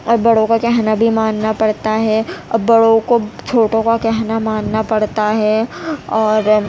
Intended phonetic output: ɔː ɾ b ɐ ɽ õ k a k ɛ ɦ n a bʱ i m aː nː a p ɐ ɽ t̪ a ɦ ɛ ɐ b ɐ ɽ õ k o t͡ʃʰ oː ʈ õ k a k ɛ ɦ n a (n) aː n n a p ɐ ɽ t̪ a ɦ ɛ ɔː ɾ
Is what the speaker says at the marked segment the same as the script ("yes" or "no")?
no